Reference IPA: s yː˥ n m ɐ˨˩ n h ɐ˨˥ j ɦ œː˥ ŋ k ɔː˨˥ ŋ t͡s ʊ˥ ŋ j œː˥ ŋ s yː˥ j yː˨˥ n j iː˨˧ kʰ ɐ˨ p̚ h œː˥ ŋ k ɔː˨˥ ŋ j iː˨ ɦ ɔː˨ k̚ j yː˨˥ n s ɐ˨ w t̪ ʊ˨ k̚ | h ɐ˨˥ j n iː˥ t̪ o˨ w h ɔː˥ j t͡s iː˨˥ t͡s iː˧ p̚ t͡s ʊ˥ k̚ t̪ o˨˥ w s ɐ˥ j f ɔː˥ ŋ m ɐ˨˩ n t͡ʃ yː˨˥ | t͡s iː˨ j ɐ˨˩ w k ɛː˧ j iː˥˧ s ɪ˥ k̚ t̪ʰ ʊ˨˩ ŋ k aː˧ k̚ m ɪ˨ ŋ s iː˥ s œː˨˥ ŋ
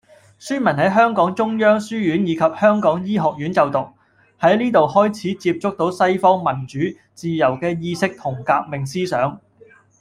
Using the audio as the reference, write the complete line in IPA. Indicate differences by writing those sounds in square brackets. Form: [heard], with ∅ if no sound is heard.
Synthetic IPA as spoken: s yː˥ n m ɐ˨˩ n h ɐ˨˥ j ɦ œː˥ ŋ k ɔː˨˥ ŋ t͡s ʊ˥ ŋ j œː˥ ŋ s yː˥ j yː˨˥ n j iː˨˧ kʰ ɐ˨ p̚ h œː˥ ŋ k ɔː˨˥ ŋ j [iː˥] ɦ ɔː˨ k̚ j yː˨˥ n [t͡s] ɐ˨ w t̪ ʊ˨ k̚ | h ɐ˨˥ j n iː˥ t̪ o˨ w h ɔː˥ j [t͡sʰ] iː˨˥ t͡s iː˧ p̚ t͡s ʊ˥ k̚ t̪ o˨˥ w s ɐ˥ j f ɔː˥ ŋ m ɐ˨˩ n t͡ʃ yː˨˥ | t͡s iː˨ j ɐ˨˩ w k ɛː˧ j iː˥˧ s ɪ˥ k̚ t̪ʰ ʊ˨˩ ŋ k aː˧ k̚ m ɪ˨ ŋ s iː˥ s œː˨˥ ŋ